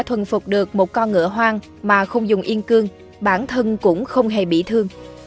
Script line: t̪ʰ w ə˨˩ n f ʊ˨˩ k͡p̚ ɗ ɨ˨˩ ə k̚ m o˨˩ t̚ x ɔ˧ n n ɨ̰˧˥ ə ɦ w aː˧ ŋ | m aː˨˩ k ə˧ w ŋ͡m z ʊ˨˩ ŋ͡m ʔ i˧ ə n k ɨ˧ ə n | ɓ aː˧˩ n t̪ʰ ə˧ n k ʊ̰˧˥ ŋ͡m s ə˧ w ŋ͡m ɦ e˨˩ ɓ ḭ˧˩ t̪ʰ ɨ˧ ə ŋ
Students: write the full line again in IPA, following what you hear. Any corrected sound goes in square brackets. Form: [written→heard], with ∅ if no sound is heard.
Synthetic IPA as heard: t̪ʰ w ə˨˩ n f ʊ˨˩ k͡p̚ ɗ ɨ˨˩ ə k̚ m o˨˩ t̚ [x→k] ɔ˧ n [n→ŋ] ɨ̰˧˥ ə ɦ w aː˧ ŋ | m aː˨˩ [k→x] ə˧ w ŋ͡m z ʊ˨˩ ŋ͡m ʔ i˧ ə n k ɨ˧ ə [n→ŋ] | ɓ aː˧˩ n t̪ʰ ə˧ n k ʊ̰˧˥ ŋ͡m [s→x] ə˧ w ŋ͡m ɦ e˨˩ ɓ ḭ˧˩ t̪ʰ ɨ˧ ə ŋ